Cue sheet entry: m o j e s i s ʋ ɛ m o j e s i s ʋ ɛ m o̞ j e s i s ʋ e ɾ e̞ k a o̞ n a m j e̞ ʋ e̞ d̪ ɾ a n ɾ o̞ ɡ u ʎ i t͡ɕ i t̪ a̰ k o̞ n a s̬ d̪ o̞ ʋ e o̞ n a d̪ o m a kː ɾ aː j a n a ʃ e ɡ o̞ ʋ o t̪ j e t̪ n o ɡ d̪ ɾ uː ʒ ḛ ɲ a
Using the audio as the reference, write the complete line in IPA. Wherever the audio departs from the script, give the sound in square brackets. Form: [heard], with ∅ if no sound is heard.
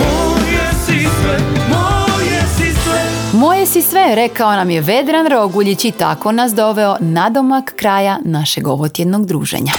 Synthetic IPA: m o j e s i s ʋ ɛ m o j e s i s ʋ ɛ m o̞ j e s i s ʋ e ɾ e̞ k a o̞ n a m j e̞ ʋ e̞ d̪ ɾ a n ɾ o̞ ɡ u ʎ i t͡ɕ i t̪ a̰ k o̞ n a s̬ d̪ o̞ ʋ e o̞ n a d̪ o m a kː ɾ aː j a n a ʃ e ɡ o̞ ʋ o t̪ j e [d̪] n o ɡ d̪ ɾ uː ʒ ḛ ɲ a